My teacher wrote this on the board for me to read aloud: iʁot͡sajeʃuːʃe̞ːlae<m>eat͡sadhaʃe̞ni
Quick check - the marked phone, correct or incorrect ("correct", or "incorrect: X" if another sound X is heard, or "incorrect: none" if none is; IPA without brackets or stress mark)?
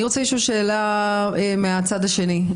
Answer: correct